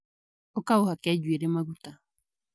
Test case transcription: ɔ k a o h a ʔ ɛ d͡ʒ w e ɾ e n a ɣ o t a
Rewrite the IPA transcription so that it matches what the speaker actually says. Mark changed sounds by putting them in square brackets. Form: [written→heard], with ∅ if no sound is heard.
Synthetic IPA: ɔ k a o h a [ʔ→k] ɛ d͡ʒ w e ɾ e [n→m] a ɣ [o→u] t a